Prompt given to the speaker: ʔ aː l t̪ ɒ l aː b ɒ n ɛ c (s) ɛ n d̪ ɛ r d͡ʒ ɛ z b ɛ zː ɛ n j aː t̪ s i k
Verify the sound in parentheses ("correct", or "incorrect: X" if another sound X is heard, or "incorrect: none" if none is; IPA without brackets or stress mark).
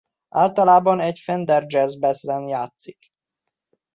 incorrect: f